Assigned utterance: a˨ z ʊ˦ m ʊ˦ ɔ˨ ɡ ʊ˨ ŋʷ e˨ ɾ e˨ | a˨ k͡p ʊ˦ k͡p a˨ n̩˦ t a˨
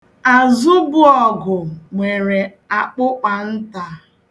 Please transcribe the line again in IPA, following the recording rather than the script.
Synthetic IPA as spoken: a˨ z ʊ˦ b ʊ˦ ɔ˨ ɡ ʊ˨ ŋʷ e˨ ɾ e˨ | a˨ k͡p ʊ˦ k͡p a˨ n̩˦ t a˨